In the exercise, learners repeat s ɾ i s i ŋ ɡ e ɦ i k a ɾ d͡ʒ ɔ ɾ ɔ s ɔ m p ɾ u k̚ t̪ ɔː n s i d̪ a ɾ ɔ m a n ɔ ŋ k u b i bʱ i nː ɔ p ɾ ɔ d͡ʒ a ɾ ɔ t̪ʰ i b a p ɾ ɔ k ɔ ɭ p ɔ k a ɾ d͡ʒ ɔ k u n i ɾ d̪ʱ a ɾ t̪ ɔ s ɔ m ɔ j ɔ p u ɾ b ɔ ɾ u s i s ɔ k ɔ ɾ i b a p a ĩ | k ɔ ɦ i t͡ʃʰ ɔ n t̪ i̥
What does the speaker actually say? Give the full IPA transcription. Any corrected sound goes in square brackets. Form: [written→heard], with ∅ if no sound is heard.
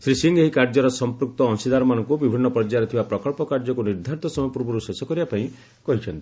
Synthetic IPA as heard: s ɾ i s i ŋ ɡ e ɦ i k a ɾ d͡ʒ ɔ ɾ ɔ s ɔ m p ɾ u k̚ t̪ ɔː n s i d̪ a ɾ ɔ m a n ɔ ŋ k u b i bʱ i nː ɔ p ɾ ɔ d͡ʒ a ɾ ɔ t̪ʰ i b a p ɾ ɔ k ɔ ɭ p ɔ k a ɾ d͡ʒ ɔ k u n i ɾ d̪ʱ a ɾ t̪ ɔ s ɔ m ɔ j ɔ p u ɾ b ɔ ɾ u s [i→e] s ɔ k ɔ ɾ i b a p a ĩ | k ɔ ɦ i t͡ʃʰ ɔ n t̪ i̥